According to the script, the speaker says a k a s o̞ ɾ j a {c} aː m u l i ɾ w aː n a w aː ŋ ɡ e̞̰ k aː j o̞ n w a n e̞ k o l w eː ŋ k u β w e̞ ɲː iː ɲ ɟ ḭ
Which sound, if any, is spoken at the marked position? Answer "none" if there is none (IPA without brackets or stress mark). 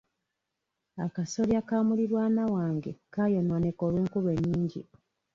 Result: k